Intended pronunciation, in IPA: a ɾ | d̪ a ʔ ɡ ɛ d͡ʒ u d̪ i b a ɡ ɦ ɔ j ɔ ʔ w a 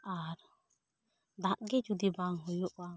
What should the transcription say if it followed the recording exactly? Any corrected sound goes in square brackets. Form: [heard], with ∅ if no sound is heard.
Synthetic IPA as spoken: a ɾ | d̪ a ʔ ɡ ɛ d͡ʒ u d̪ i b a [ŋ] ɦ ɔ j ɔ ʔ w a

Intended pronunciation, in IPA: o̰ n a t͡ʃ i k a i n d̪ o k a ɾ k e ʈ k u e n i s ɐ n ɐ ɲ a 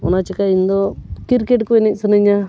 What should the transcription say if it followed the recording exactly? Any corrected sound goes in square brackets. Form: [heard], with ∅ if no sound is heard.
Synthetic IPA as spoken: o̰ n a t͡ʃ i k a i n d̪ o k [i] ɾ k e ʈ k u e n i s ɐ n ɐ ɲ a

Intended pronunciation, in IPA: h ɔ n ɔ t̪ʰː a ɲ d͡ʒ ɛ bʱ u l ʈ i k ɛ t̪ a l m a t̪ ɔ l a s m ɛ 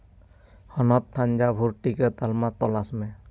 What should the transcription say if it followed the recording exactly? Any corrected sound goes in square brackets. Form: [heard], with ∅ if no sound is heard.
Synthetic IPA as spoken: h ɔ n ɔ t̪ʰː a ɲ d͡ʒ [a] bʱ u [ɾ] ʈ i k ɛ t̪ a l m a t̪ ɔ l a s m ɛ

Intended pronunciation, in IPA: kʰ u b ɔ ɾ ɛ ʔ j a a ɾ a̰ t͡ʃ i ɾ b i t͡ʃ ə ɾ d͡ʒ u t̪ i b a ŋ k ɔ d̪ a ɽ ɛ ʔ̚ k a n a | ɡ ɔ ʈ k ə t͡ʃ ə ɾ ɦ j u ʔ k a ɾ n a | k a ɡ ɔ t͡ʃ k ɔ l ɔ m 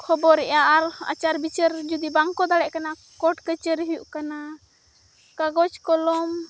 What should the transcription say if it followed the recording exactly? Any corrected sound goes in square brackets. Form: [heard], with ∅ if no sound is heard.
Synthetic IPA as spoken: kʰ [ɔ] b ɔ ɾ ɛ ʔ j a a ɾ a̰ t͡ʃ [a] ɾ b i t͡ʃ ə ɾ d͡ʒ u [d̪] i b a ŋ k ɔ d̪ a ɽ ɛ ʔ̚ k a n a | [k] ɔ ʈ k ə t͡ʃ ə ɾ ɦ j u ʔ k a [∅] n a | k a ɡ ɔ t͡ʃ k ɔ l ɔ m

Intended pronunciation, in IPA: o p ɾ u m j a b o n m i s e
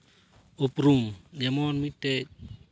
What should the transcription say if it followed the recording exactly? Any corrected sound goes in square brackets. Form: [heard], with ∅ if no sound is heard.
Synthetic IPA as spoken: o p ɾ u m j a [m] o n m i [t] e

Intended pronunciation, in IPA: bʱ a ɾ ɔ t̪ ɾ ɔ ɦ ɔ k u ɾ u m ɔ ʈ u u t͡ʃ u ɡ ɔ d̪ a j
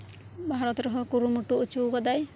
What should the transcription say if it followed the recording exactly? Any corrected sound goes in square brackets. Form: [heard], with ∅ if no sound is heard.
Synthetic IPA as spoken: bʱ a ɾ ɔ t̪ ɾ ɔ ɦ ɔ k u ɾ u m [u] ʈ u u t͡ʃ u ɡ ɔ d̪ a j

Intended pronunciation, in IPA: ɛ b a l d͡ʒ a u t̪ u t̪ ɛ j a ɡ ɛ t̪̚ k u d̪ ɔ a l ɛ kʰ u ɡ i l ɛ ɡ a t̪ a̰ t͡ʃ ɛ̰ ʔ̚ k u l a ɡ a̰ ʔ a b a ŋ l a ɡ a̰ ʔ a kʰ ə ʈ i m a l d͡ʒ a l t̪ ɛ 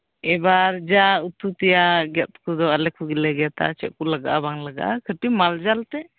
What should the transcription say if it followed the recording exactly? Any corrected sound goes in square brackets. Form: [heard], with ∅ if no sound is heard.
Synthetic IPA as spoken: ɛ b a [ɾ] d͡ʒ a u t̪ u t̪ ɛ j a ɡ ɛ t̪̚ k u d̪ ɔ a l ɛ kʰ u ɡ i l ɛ ɡ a t̪ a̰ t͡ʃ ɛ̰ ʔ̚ k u l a ɡ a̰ ʔ a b a ŋ l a ɡ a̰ ʔ a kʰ ə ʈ i m a l d͡ʒ a l t̪ ɛ

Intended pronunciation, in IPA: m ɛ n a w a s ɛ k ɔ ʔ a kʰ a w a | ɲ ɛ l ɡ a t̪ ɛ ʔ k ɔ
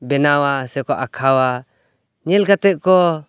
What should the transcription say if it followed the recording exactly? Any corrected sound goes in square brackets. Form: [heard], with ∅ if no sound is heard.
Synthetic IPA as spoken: [b] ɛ n a w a s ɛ k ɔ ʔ a kʰ a w a | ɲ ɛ l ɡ a t̪ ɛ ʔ k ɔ

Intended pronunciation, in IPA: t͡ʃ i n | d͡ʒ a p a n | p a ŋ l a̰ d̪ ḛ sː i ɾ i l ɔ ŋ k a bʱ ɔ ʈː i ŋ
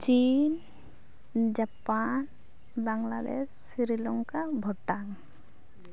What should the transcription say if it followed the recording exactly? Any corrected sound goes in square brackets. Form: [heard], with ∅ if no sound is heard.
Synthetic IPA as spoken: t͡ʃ i n | d͡ʒ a p a n | [b] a ŋ l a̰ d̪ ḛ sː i ɾ i l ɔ ŋ k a bʱ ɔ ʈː [a] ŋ

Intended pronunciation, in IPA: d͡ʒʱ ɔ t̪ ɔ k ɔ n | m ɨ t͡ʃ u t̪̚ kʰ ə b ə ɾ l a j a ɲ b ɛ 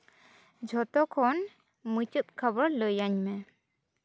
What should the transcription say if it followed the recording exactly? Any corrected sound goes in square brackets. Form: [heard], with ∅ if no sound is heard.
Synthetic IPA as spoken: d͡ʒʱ ɔ t̪ ɔ [kʰ] ɔ n | m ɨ t͡ʃ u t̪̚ kʰ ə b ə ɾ l [ə] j a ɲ [m] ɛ

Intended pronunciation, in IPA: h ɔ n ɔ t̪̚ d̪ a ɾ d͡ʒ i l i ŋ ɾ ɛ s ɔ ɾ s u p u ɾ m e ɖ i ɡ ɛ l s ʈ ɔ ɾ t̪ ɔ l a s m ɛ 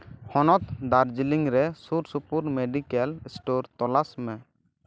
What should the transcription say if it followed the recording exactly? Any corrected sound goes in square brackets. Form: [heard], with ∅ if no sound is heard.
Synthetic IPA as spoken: h ɔ n ɔ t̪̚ d̪ a ɾ d͡ʒ i l i ŋ ɾ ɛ s [u] ɾ s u p u ɾ m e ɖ i [k] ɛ l s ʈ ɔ ɾ t̪ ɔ l a s m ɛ

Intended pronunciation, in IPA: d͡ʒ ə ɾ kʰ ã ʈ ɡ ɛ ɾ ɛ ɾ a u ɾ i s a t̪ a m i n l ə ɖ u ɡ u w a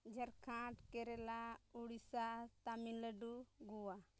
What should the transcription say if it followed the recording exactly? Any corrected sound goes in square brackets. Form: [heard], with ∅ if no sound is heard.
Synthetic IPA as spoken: d͡ʒ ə ɾ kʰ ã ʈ [k] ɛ ɾ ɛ [l] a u [ɽ] i s a t̪ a m i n l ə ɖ u ɡ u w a

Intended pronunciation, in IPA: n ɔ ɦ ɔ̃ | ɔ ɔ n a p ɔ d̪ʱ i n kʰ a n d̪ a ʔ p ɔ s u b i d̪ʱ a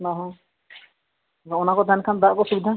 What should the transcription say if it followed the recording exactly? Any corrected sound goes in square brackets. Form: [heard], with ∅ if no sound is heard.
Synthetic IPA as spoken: n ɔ ɦ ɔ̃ | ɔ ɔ n a [k] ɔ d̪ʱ [a] n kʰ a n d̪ a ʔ [k] ɔ s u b i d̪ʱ a

